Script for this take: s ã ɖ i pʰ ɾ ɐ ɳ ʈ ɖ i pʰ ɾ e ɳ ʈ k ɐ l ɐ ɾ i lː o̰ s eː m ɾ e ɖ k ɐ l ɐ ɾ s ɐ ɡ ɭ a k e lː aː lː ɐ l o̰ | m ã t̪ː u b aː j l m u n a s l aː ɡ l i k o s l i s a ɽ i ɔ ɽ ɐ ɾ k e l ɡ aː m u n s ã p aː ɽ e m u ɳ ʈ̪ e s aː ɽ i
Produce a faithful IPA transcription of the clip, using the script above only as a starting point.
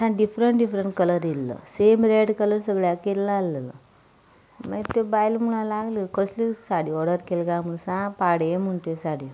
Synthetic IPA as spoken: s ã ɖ i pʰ ɾ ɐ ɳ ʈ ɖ i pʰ ɾ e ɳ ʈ k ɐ l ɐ ɾ i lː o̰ s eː m ɾ e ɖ k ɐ l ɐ ɾ s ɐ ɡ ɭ a k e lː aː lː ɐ l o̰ | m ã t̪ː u b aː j l m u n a l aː ɡ l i k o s l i s a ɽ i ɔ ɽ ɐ ɾ k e l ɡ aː m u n s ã p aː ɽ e m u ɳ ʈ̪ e s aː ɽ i